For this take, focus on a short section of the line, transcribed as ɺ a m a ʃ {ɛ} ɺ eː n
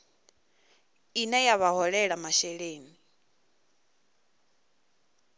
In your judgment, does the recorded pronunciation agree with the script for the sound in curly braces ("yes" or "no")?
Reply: yes